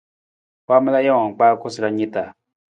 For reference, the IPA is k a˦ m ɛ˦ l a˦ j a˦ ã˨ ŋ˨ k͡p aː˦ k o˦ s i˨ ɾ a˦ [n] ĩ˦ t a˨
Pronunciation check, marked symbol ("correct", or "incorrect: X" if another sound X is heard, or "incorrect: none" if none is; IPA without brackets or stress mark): incorrect: ɲ